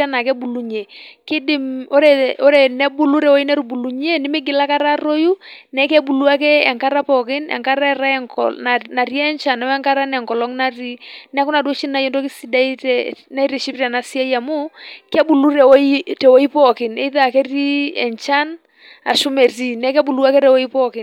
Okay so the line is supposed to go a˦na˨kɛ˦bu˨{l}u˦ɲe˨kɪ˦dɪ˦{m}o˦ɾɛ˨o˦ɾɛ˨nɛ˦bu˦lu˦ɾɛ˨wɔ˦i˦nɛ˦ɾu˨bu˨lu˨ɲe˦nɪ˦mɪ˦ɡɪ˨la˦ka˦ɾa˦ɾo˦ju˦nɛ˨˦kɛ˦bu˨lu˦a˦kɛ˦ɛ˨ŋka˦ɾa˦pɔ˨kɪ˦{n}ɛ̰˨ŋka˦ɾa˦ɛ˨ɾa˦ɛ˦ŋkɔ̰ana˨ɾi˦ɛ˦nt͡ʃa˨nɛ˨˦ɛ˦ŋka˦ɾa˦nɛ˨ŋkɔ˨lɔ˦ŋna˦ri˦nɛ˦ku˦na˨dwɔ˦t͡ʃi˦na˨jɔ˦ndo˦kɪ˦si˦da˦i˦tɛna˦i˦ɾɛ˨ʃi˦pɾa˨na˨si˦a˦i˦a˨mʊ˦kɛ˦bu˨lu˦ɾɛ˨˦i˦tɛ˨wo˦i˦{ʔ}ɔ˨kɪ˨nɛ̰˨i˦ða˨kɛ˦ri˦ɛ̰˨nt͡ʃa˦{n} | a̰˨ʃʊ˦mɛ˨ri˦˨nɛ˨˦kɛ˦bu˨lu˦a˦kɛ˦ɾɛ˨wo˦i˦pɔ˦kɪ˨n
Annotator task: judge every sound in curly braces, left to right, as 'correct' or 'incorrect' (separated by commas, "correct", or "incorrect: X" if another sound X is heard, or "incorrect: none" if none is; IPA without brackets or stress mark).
correct, correct, correct, incorrect: p, correct